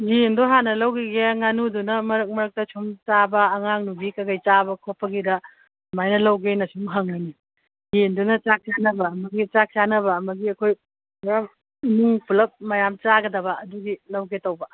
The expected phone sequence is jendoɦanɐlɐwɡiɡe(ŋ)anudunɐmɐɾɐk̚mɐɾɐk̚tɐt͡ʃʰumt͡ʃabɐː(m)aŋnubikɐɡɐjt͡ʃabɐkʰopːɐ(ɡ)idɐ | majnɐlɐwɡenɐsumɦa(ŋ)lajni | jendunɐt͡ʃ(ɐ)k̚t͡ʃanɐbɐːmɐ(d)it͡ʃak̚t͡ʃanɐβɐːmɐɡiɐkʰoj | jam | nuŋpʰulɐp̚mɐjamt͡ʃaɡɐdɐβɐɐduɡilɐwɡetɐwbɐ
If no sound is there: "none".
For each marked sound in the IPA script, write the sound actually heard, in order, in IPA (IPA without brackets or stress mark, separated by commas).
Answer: ŋ, ŋ, ɡ, ŋ, a, ɡ